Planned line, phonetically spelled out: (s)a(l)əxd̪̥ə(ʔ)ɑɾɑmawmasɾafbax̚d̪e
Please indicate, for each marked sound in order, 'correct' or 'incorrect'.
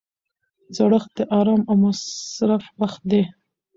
incorrect: z, incorrect: ɽ, correct

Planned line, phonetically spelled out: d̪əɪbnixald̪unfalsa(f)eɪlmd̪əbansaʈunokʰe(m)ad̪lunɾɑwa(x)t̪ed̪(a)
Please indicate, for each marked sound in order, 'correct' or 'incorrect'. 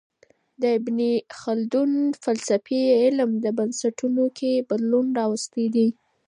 correct, incorrect: b, incorrect: s, incorrect: i

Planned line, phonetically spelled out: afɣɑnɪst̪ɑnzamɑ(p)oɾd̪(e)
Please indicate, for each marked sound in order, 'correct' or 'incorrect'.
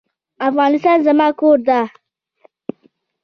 incorrect: k, incorrect: a

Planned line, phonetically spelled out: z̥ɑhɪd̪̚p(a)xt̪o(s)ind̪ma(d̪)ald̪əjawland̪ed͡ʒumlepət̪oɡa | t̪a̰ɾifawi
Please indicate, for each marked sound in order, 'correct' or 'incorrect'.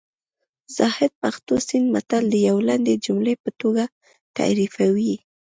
correct, correct, incorrect: t̪

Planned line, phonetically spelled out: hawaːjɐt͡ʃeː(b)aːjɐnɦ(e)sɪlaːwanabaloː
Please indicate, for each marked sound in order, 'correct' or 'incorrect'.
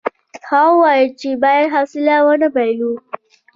correct, incorrect: a

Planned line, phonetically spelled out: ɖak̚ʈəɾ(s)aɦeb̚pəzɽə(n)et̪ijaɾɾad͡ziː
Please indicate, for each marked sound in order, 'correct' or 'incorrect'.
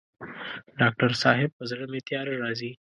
correct, incorrect: m

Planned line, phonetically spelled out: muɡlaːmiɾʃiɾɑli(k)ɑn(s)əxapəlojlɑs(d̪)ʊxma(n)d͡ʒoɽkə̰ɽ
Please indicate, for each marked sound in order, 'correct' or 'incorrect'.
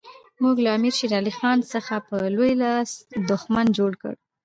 incorrect: x, correct, correct, correct

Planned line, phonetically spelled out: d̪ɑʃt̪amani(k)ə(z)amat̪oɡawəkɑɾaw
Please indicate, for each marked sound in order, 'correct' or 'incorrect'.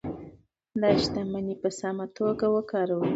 incorrect: p, incorrect: s

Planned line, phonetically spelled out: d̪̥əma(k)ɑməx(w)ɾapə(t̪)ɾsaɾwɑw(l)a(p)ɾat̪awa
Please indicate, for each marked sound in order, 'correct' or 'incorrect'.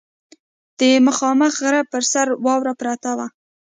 incorrect: x, incorrect: ɣ, incorrect: none, incorrect: ɾ, correct

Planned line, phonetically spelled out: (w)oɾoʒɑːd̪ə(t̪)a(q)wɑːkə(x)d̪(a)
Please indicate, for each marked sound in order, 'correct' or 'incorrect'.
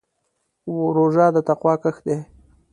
correct, correct, correct, correct, incorrect: e

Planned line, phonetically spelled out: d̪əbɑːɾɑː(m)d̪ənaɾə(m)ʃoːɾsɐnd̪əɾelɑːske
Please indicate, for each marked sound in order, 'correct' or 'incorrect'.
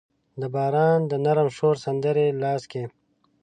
incorrect: n, correct

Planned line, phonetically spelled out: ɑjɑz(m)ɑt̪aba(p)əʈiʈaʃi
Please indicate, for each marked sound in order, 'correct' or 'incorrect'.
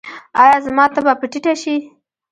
correct, correct

